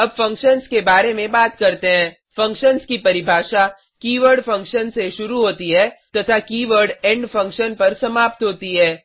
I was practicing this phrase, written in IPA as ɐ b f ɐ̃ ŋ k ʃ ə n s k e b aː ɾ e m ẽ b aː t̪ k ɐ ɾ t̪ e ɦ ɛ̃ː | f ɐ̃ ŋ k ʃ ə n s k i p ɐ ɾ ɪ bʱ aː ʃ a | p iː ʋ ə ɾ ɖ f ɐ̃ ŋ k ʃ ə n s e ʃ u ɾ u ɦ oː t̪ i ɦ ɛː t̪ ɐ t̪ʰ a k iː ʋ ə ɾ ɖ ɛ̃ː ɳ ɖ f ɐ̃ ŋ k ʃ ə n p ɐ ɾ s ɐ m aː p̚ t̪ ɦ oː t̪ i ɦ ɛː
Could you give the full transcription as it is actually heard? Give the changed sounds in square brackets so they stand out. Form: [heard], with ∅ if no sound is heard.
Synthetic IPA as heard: ɐ b f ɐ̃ ŋ k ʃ ə n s k e b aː ɾ e m ẽ b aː t̪ k ɐ ɾ t̪ e ɦ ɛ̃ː | f ɐ̃ ŋ k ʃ ə n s k i p ɐ ɾ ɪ bʱ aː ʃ a | [k] iː ʋ ə ɾ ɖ f ɐ̃ ŋ k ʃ ə n s e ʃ [ʊ] ɾ u ɦ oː t̪ i ɦ ɛː t̪ ɐ t̪ʰ a k iː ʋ ə ɾ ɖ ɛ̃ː ɳ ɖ f ɐ̃ ŋ k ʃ ə n p ɐ ɾ s ɐ m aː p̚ t̪ ɦ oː t̪ i ɦ ɛː